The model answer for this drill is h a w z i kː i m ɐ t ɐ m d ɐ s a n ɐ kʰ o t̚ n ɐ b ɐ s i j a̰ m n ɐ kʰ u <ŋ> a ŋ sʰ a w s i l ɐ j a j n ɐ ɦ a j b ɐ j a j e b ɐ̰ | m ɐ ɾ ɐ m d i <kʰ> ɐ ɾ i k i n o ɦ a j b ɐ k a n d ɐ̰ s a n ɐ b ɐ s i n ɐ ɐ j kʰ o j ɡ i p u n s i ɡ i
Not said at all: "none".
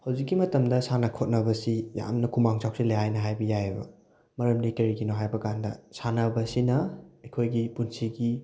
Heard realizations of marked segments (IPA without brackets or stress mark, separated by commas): m, k